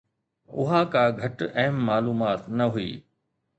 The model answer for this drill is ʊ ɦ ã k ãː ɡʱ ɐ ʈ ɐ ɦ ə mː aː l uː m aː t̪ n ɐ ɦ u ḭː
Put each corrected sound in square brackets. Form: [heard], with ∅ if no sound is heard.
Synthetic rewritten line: ʊ ɦ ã k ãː ɡʱ ɐ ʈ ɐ ɦ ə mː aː l uː m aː t̪ n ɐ ɦ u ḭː